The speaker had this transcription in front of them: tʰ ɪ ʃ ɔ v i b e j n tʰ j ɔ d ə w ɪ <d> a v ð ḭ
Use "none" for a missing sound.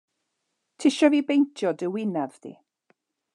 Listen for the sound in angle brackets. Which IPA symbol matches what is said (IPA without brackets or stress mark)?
n